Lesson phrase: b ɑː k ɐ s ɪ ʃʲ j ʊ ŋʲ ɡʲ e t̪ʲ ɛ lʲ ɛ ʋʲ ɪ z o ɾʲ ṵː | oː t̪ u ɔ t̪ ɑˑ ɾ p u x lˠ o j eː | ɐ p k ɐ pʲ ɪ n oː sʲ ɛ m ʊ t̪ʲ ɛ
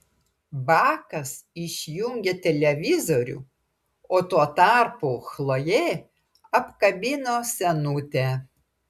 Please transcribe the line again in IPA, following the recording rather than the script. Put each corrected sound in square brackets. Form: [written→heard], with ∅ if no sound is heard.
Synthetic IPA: b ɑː k ɐ s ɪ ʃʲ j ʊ ŋʲ ɡʲ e t̪ʲ ɛ lʲ ɛ ʋʲ ɪ z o ɾʲ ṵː | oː t̪ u ɔ t̪ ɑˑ ɾ p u x lˠ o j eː | ɐ p k ɐ [pʲ→bʲ] ɪ n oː sʲ ɛ [m→n] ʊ t̪ʲ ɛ